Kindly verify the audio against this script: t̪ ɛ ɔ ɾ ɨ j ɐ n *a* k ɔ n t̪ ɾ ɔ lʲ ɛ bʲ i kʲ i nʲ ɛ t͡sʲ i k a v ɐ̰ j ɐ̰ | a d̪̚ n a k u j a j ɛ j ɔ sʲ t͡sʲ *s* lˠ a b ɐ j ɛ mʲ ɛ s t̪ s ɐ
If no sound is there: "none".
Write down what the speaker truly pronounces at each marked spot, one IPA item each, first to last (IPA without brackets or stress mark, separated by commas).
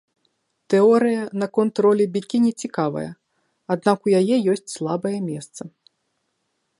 ɐ, s